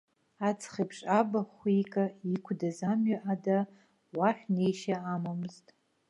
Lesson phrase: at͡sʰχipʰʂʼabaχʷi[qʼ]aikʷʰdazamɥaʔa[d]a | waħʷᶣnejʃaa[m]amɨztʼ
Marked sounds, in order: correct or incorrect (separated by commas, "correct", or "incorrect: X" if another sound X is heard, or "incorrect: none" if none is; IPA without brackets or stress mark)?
incorrect: kʼ, correct, correct